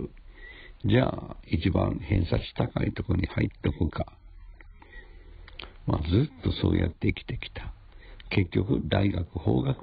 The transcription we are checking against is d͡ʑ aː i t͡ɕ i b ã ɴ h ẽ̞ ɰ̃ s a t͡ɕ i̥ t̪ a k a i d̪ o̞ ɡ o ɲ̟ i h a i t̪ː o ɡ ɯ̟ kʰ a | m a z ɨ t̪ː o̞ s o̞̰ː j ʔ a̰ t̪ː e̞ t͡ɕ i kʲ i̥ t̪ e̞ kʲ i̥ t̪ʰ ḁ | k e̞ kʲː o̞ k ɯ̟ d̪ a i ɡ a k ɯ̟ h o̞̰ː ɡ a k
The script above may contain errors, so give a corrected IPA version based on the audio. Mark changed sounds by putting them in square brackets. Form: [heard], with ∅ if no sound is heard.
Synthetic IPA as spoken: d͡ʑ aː i t͡ɕ i b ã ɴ h ẽ̞ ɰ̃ s a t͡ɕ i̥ t̪ a k a i [t̪] o̞ [k] o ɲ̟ i h a i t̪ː o [k] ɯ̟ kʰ a | m a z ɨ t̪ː o̞ s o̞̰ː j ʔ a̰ t̪ː e̞ [∅] i kʲ i̥ t̪ e̞ kʲ i̥ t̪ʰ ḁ | k e̞ kʲː o̞ k ɯ̟ d̪ a i ɡ a k ɯ̟ h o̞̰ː ɡ a k